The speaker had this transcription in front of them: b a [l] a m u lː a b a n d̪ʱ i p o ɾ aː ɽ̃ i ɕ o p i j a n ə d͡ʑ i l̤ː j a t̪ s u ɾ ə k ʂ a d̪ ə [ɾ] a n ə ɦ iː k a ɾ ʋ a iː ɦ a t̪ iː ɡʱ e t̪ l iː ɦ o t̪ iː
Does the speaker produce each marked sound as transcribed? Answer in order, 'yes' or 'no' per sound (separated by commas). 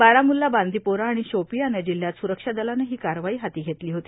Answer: no, no